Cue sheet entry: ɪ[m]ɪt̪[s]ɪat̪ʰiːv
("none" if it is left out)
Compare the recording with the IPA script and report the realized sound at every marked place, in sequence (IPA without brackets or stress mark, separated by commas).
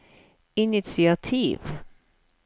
n, s